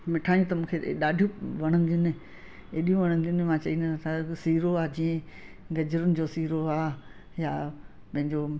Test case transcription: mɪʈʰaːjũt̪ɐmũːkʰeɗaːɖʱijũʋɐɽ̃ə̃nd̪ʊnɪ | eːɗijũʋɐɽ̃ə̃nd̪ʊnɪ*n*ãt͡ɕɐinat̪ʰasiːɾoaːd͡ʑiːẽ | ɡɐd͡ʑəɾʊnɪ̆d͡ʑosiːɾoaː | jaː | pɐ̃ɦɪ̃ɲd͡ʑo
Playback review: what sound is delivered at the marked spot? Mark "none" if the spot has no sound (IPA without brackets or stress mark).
m